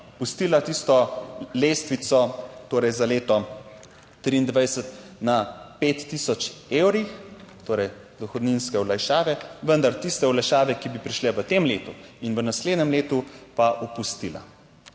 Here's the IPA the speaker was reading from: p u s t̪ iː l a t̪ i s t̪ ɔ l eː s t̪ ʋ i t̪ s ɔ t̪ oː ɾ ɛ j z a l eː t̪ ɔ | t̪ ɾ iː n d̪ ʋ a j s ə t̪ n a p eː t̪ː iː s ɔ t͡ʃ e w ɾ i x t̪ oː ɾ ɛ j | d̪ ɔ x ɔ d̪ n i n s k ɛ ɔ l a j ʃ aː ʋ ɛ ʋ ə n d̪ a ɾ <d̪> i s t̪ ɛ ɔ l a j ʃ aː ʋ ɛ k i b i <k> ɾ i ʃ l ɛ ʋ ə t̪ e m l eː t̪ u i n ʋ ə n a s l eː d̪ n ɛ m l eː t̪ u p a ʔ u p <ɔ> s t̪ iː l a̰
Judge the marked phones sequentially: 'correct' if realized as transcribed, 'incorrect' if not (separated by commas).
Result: incorrect, incorrect, incorrect